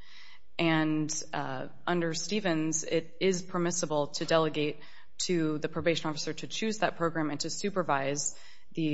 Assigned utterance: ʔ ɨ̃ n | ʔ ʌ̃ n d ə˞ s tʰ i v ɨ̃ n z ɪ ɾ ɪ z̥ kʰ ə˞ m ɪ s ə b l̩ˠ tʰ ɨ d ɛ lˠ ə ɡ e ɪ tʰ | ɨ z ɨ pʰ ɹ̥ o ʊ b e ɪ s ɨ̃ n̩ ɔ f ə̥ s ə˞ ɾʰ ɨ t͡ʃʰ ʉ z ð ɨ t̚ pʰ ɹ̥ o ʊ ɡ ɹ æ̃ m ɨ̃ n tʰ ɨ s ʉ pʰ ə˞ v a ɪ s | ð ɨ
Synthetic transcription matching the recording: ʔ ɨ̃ n | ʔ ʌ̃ n d ə˞ s t i v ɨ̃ n z ɪ ɾ ɪ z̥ pʰ ə˞ m ɪ s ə b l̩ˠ tʰ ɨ d ɛ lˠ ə ɡ e ɪ tʰ | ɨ ð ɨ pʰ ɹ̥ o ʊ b e ɪ ʃ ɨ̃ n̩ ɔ f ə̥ s ə˞ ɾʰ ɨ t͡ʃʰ ʉ z ð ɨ t̚ pʰ ɹ̥ o ʊ ɡ ɹ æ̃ m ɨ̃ n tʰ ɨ s ʉ p ə˞ v a ɪ z | ð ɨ